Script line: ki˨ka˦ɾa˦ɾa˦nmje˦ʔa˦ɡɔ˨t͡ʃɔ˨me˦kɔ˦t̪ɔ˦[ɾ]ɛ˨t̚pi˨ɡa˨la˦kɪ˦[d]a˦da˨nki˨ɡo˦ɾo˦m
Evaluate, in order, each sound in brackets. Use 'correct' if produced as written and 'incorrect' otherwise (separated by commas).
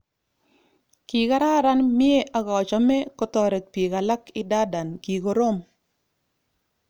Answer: correct, correct